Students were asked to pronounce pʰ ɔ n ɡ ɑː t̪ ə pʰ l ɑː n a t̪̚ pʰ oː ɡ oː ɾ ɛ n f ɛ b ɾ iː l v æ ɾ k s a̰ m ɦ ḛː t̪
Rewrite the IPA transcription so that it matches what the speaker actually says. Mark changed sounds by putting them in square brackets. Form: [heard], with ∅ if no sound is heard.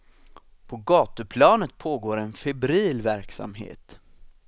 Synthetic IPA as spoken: pʰ ɔ [∅] ɡ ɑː t̪ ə pʰ l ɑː n [ə] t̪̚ pʰ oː ɡ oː ɾ ɛ n f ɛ b ɾ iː l v æ ɾ k s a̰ m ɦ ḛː t̪